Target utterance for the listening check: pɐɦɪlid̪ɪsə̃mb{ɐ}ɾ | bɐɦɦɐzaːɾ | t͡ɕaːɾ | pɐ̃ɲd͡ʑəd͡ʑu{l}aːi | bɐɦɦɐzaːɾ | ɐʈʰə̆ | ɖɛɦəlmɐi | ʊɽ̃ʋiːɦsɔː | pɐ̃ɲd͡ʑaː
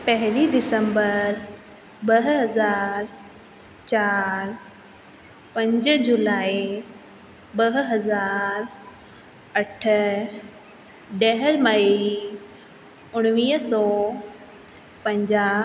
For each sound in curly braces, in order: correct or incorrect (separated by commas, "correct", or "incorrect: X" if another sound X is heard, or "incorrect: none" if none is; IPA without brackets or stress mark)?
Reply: incorrect: ə, correct